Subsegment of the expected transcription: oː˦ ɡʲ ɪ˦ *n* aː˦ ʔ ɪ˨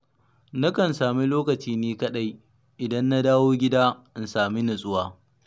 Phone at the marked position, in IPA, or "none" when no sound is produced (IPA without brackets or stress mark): d